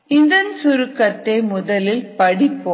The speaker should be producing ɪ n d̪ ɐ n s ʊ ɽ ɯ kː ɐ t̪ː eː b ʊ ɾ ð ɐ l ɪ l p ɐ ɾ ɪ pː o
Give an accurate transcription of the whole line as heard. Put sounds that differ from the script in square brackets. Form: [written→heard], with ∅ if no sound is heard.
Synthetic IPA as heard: ɪ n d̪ ɐ n s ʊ [ɽ→ɾ] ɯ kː ɐ t̪ː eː [b→m] ʊ [ɾ→∅] ð ɐ l ɪ l p ɐ [ɾ→ɽ] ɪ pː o